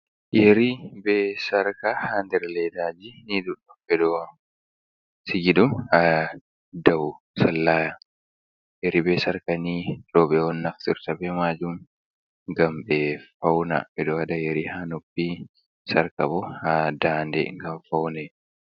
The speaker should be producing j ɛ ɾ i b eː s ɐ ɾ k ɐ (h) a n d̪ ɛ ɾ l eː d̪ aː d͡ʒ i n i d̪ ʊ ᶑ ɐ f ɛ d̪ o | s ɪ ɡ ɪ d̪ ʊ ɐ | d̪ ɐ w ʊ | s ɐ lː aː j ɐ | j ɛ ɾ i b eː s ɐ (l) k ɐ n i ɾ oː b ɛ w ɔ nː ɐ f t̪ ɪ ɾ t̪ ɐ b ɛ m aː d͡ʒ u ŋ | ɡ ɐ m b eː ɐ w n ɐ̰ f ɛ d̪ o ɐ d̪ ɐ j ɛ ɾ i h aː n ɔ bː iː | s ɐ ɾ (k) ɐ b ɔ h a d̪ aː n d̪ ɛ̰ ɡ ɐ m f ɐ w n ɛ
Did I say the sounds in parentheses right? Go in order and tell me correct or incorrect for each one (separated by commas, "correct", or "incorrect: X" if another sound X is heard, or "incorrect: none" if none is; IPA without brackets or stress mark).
correct, incorrect: ɾ, correct